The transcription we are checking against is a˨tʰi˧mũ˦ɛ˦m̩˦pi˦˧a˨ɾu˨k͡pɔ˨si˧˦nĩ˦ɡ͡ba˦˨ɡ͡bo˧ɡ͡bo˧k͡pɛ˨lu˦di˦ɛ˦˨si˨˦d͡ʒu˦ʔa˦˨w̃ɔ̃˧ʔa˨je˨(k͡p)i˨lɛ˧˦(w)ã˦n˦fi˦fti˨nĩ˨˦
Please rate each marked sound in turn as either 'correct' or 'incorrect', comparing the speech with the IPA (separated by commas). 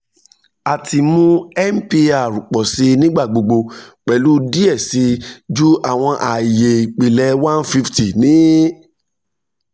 correct, correct